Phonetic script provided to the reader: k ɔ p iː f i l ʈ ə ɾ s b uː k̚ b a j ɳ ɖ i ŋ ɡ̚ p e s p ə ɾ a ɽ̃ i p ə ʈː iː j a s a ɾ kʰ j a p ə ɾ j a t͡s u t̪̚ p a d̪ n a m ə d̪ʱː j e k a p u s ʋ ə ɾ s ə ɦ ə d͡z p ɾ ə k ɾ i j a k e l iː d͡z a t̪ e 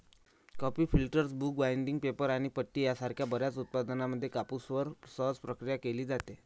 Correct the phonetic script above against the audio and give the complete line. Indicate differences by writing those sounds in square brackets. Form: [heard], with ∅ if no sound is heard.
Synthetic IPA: k ɔ p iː f i l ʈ ə ɾ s b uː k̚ b a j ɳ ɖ i ŋ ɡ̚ p e [∅] p ə ɾ a ɽ̃ i p ə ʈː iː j a s a ɾ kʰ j a [b] ə ɾ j a t͡s u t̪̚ p a d̪ n a m ə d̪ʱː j e k a p u s ʋ ə ɾ s ə ɦ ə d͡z p ɾ ə k ɾ i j a k e l iː d͡z a t̪ e